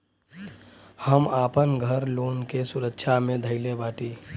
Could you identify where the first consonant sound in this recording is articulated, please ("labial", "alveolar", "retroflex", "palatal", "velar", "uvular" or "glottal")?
glottal